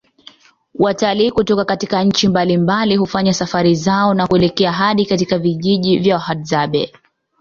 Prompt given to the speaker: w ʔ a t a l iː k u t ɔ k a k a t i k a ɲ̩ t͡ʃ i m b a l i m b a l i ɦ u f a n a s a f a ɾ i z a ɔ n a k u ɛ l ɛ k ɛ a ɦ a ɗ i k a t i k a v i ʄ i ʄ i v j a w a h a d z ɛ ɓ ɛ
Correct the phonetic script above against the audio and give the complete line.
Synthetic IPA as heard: w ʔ a t a l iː k u t ɔ k a k a t i k a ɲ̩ t͡ʃ i m b a l i m b a l i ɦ u f a ɲ a s a f a ɾ i z a ɔ n a k u ɛ l ɛ k ɛ a ɦ a ɗ i k a t i k a v i ʄ i ʄ i v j a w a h a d z a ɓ ɛ

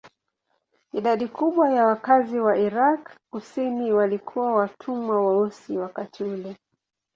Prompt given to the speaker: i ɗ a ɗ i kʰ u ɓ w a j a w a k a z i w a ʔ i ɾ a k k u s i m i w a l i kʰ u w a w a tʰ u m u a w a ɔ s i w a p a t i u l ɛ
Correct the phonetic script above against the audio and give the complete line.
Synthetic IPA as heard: i ɗ a ɗ i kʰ u ɓ w a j a w a k a z i w a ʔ i ɾ a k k u s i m i w a l i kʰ u w a w a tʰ u m w a w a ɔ s i w a k a t i u l ɛ

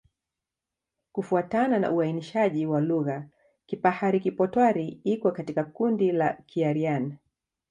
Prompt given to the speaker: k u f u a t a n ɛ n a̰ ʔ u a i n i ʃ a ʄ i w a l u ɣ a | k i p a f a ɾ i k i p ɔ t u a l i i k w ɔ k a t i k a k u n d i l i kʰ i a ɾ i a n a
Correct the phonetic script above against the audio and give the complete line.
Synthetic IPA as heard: k u f u a t a n a n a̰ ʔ u a i n i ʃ a ʄ i w a l u ɣ a | k i p a h a ɾ i k i p ɔ t w a ɾ i i k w ɔ k a t i k a k u n d i l a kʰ i a ɾ i a n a

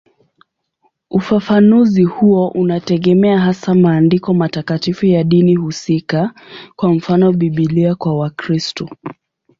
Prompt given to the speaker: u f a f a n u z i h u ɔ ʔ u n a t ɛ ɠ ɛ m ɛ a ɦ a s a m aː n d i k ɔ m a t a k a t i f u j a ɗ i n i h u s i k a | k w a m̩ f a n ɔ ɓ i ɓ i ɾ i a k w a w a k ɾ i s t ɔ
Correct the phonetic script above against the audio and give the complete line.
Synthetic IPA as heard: u f a f a n u z i h u ɔ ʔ u n a t ɛ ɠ ɛ m ɛ a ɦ a s a m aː n d i k ɔ m a t a k a t i f u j a ɗ i n i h u s i k a | k w a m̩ f a n ɔ ɓ i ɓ i l i a k w a w a k ɾ i s t ɔ

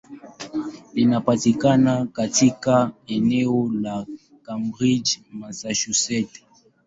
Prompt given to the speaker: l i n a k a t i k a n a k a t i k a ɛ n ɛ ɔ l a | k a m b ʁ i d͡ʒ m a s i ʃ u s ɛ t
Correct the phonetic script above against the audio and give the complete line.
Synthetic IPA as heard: l i n a p a t i k a n a k a t i k a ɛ n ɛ ɔ l a | k a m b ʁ i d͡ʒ m a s a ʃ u s ɛ t

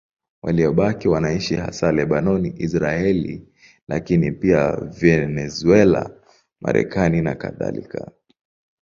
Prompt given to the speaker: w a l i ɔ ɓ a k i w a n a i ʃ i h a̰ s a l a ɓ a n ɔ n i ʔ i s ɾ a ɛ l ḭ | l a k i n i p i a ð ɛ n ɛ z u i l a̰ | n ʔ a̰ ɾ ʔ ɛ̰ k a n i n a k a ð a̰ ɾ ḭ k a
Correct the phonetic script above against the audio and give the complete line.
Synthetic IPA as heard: w a l i ɔ ɓ a k i w a n a i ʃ i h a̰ s a l ɛ ɓ a n ɔ n i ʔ i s ɾ a ɛ l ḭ | l a k i n i p i a v ɛ n ɛ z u ɛ l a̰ | m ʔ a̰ ɾ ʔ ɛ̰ k a n i n a k a ð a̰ l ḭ k a

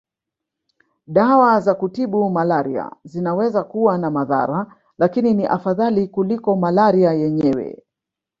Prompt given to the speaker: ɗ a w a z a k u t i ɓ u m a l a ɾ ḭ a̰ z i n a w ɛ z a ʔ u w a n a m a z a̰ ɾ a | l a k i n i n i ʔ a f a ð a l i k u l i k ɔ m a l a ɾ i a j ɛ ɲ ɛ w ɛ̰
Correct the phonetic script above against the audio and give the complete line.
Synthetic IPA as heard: ɗ a w a z a k u t i ɓ u m a l a ɾ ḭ a̰ z i n a w ɛ z a k u w a n a m a ð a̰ ɾ a | l a k i n i n i ʔ a f a ð a l i k u l i k ɔ m a l a ɾ i a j ɛ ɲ ɛ w ɛ̰

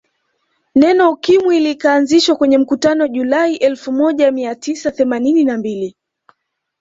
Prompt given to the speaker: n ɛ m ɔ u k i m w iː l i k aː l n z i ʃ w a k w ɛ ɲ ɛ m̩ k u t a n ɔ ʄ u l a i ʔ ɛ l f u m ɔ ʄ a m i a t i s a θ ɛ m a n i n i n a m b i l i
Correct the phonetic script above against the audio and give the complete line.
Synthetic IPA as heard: n ɛ n ɔ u k i m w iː l i k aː n z i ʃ w a k w ɛ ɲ ɛ m̩ k u t a n ɔ ʄ u l a i ʔ ɛ l f u m ɔ ʄ a m i a t i s a θ ɛ m a n i n i n a m b i l i

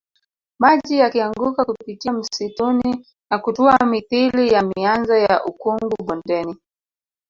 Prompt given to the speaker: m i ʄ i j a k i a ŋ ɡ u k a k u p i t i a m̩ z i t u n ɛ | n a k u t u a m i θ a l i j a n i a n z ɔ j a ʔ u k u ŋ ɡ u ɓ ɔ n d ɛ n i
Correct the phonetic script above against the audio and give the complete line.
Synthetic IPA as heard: m a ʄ i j a k i a ŋ ɡ u k a k u p i t i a m̩ s i t u n i | n a k u t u a m i θ i l i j a m i a n z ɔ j a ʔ u k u ŋ ɡ u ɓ ɔ n d ɛ n i

